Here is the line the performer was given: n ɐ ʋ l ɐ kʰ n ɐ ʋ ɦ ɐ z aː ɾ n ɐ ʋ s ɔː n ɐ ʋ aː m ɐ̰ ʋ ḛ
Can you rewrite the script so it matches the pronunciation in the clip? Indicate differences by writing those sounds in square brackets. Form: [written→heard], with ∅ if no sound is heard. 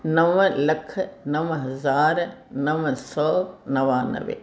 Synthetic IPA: n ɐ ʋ l ɐ kʰ n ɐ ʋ ɦ ɐ z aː ɾ n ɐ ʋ s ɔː n ɐ ʋ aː [m→n] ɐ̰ ʋ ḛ